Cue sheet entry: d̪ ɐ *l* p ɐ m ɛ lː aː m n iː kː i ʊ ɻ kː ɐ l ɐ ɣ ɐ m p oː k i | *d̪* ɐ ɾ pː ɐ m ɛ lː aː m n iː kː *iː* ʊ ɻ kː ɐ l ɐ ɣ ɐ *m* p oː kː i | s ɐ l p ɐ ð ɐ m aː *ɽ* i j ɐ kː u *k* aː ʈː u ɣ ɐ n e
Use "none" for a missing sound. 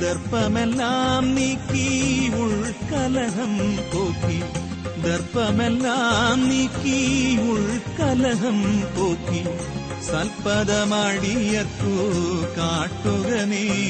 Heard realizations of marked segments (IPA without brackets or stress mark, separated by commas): ɾ, d̪, i, m, ɽ, k